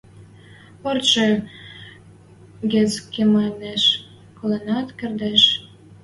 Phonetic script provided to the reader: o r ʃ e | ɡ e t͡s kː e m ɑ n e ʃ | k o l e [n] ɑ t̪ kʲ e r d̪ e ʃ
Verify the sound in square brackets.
correct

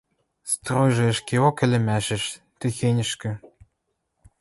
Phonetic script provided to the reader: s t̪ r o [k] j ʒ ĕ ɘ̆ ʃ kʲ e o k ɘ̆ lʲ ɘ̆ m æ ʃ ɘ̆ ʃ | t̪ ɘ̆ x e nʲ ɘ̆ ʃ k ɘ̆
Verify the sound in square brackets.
incorrect: none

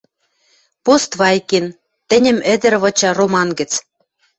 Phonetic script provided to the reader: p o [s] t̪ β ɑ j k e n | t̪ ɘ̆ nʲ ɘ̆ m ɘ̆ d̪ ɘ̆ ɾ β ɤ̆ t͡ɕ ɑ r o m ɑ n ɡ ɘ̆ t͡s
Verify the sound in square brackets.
correct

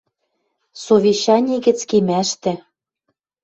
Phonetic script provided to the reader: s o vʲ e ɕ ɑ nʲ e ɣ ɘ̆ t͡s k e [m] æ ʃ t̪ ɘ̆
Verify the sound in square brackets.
correct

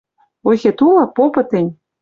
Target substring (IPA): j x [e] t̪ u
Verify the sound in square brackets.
correct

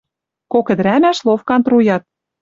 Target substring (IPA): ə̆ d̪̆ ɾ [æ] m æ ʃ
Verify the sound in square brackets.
correct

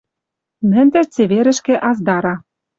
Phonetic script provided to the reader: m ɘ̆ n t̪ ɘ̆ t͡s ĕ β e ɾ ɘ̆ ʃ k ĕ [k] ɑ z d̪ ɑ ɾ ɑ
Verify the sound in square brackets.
incorrect: ʔ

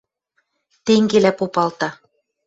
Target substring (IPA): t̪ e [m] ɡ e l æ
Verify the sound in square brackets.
incorrect: ŋ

